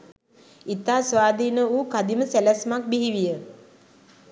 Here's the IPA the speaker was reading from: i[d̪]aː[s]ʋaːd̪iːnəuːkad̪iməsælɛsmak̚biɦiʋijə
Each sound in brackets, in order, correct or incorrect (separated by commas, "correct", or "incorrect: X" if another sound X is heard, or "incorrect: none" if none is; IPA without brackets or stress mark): incorrect: t̪, correct